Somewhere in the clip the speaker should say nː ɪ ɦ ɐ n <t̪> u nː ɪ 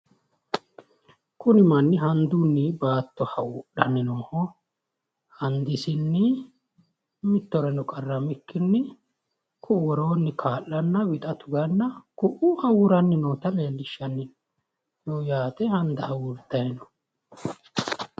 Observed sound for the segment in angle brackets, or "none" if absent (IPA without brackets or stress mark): d̪